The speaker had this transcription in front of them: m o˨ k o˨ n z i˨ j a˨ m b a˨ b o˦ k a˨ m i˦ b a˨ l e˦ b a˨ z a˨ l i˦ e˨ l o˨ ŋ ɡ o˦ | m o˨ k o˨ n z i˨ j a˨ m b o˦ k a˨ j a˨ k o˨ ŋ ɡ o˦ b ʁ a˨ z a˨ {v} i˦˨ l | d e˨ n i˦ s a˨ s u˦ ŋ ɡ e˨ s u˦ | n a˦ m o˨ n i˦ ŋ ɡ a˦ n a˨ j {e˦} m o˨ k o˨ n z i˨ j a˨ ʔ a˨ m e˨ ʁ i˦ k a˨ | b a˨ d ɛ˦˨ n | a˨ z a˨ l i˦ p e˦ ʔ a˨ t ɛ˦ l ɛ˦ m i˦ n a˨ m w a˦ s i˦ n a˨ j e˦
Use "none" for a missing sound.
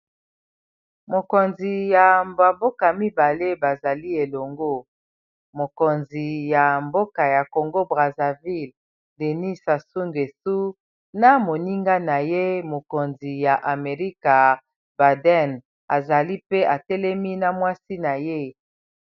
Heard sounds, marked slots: v, e˦

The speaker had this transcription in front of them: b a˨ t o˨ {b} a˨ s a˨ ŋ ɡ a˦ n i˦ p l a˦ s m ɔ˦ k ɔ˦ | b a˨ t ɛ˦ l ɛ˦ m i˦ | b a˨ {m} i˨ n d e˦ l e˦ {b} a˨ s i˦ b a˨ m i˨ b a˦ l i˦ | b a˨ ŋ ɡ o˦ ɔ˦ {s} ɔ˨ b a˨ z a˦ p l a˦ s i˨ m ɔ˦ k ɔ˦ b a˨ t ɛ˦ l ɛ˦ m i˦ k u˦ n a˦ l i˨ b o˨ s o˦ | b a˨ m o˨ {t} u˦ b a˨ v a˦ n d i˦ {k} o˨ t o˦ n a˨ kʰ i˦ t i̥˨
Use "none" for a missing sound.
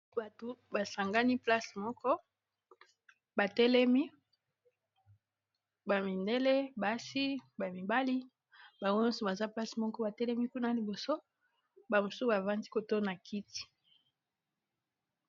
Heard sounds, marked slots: b, m, b, s, s, k

